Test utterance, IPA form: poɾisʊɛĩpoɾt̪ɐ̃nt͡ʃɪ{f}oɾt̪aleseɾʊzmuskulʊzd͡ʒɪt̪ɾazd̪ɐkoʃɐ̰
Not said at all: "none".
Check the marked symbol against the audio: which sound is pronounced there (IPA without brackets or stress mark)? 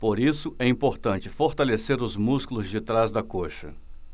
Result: f